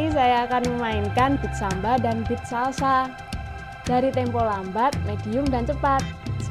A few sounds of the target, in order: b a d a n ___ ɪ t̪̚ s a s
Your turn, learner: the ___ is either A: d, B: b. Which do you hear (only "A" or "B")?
B